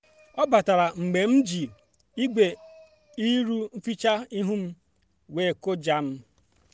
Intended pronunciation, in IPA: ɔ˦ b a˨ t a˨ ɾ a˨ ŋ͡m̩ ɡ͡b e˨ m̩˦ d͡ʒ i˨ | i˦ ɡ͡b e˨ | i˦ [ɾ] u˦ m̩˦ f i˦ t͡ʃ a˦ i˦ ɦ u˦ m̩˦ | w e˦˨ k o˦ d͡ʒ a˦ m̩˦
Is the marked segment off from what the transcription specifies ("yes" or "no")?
no